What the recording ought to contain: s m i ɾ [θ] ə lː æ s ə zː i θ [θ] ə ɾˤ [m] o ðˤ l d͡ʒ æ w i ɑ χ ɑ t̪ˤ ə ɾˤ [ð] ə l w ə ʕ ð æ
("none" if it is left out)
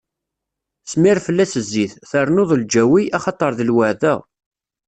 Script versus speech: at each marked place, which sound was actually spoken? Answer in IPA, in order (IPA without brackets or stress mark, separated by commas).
f, θ, n, ð